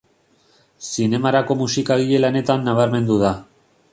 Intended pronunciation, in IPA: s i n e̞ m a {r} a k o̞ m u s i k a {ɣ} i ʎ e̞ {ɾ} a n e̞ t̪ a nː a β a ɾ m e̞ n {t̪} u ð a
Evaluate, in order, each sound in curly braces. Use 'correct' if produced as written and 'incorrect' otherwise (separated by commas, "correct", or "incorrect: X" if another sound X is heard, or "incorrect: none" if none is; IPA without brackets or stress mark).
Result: incorrect: ɾ, correct, incorrect: l, incorrect: d̪